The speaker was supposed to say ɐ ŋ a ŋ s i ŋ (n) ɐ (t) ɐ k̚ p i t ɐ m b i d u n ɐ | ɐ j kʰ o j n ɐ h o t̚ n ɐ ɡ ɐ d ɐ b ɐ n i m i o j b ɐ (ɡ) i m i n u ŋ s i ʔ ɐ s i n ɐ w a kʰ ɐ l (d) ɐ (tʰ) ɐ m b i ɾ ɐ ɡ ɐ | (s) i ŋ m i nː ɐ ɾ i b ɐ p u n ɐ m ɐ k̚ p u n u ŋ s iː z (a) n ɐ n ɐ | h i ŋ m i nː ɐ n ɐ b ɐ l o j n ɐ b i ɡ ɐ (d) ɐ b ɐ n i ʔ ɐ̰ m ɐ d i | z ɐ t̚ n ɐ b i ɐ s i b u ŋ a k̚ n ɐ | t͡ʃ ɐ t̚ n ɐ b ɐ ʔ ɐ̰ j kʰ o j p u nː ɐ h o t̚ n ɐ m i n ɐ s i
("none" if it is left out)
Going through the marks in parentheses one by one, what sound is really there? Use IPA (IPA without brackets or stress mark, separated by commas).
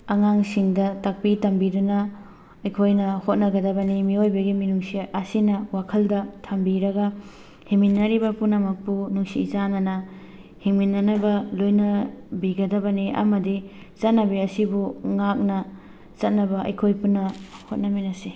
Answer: d, t, ɡ, d, tʰ, h, a, d